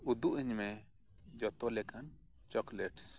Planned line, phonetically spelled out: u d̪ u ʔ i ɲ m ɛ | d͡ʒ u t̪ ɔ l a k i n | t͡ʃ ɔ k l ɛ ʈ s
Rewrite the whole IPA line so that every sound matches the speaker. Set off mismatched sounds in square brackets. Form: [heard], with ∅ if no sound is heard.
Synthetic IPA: u d̪ u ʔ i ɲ m ɛ | d͡ʒ [ɔ] t̪ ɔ l [ɛ] k [a] n | t͡ʃ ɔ k l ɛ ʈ s